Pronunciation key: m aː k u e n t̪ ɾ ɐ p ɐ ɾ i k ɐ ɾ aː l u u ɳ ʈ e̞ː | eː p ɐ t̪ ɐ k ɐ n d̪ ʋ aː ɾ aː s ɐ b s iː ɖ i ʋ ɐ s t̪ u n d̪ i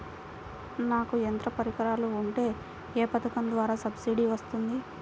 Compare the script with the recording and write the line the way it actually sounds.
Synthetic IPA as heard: n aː k u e n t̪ ɾ ɐ p ɐ ɾ i k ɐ ɾ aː l u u ɳ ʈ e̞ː | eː p ɐ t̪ ɐ k ɐ n d̪ ʋ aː ɾ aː s ɐ b s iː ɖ i ʋ ɐ s t̪ u n d̪ i